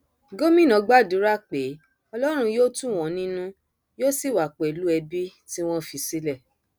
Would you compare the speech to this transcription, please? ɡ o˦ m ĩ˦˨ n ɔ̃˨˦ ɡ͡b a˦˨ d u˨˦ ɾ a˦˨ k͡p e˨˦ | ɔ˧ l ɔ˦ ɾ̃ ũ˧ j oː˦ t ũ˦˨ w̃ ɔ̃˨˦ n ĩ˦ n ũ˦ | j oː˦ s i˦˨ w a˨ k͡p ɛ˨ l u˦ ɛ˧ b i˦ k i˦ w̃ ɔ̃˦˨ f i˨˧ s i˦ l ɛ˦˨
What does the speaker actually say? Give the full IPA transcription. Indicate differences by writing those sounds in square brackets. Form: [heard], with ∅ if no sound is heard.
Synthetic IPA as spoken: ɡ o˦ m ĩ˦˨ n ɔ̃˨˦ ɡ͡b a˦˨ d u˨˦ ɾ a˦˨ k͡p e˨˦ | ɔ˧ l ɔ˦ ɾ̃ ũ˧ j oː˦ t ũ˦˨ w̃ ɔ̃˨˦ n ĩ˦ n ũ˦ | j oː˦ s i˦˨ w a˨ k͡p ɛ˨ l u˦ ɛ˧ b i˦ [t] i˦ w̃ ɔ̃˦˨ f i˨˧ s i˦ l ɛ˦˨